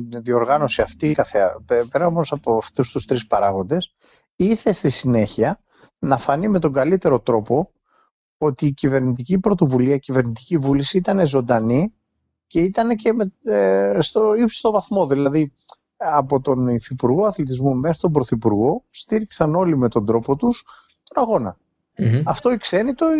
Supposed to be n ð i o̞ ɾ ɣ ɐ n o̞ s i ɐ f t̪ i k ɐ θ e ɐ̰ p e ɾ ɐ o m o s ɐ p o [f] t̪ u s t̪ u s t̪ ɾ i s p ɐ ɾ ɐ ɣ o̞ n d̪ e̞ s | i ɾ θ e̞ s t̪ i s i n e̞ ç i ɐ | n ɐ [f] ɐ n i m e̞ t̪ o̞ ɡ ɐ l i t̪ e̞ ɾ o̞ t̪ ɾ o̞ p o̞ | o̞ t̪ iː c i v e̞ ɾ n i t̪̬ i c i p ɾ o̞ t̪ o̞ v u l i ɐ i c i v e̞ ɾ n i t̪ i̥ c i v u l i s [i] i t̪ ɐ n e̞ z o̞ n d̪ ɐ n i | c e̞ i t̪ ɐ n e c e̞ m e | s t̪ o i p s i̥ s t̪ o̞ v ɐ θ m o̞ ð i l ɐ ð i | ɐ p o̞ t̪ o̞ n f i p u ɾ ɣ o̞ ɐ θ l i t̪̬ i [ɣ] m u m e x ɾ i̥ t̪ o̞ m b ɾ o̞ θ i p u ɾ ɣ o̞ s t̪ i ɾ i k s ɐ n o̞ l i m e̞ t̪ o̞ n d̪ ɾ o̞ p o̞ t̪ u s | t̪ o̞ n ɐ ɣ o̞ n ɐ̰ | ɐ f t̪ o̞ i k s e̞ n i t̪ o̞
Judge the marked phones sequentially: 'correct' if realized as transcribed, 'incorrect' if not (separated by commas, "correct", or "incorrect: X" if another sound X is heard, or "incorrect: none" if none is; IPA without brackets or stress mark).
correct, correct, correct, incorrect: z